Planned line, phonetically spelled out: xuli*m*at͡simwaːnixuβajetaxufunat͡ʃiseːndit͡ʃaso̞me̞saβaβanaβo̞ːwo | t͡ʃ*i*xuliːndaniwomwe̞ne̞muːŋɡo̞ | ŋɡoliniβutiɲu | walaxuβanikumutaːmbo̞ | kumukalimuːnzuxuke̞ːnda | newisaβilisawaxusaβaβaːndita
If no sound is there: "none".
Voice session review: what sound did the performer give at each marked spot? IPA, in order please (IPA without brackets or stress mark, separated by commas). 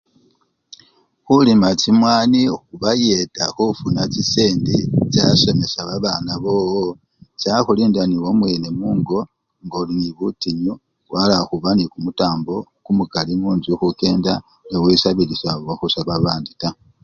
m, a